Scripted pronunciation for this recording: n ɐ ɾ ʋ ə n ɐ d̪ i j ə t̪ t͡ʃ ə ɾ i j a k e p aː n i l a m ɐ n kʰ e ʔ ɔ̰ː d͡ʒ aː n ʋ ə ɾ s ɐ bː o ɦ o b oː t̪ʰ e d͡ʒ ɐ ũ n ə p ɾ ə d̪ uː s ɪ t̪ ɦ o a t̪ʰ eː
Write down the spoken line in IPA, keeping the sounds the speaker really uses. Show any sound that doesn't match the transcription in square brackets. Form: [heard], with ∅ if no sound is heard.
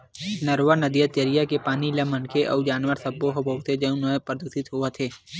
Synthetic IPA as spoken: n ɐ ɾ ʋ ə n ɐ d̪ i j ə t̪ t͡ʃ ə ɾ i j a k e p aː n i l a m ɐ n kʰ e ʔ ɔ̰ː d͡ʒ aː n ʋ ə ɾ s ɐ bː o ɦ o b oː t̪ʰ e d͡ʒ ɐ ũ n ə p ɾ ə d̪ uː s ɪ t̪ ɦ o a t̪ʰ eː